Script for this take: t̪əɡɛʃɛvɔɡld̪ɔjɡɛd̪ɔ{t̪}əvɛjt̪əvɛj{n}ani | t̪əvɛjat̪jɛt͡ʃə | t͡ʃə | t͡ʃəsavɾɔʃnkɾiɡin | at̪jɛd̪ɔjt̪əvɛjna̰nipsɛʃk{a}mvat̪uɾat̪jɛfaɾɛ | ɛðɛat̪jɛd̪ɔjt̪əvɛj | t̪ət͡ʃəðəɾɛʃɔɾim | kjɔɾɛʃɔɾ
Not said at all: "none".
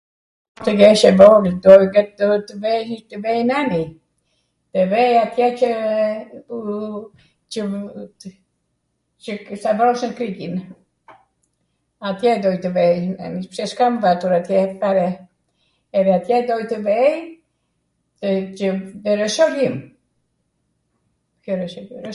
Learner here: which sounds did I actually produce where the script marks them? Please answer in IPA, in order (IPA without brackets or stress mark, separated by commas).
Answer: t̪, n, a